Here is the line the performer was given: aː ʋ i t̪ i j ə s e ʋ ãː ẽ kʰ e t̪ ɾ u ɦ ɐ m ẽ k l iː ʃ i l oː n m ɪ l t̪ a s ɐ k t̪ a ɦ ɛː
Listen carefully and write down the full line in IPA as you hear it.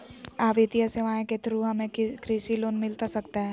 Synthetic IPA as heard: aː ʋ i t̪ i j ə s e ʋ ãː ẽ k e t̪ ɾ u ɦ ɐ m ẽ k ɾ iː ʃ i l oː n m ɪ l t̪ a s ɐ k t̪ a ɦ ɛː